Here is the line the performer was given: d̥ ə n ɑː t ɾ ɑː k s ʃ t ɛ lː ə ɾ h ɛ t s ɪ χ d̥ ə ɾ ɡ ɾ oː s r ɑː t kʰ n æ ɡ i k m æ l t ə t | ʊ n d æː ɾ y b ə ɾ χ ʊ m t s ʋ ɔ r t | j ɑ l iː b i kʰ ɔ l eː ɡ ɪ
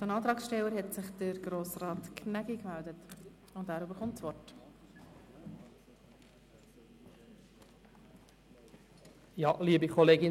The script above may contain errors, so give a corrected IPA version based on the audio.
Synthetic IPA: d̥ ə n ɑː t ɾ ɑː k s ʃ t ɛ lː ə ɾ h ɛ t s ɪ χ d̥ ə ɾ ɡ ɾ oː s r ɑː t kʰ n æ ɡ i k m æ l d ə t | ʊ n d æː ɾ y b ə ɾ χ ʊ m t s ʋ ɔ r t | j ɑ l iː b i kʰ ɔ l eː ɡ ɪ